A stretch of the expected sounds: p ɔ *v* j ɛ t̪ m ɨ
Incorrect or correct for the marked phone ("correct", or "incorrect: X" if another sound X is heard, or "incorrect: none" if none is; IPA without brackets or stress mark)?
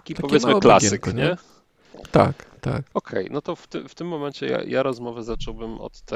correct